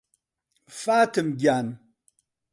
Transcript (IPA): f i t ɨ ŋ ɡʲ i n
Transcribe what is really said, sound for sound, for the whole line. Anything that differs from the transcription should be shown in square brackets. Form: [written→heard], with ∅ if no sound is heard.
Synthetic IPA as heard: f [i→a] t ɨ [ŋ→m] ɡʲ [i→a] n